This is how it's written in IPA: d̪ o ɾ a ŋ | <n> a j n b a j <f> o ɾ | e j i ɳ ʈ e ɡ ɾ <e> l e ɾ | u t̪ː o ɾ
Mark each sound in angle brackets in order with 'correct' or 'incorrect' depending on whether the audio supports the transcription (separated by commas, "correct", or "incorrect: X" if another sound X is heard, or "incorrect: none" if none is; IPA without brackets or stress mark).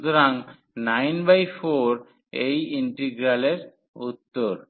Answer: correct, correct, incorrect: a